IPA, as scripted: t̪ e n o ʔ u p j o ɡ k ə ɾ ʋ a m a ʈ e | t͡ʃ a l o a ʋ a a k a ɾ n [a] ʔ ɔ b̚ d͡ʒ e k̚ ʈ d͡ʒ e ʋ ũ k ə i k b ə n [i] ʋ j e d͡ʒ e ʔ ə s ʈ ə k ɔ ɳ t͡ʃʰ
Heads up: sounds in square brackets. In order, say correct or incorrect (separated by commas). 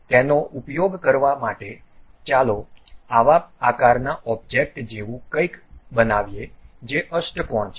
correct, incorrect